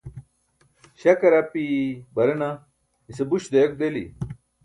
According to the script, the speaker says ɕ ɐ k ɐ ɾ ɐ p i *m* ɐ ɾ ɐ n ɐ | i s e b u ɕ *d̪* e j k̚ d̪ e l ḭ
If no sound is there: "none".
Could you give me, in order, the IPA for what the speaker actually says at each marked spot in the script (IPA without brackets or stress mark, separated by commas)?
b, d̪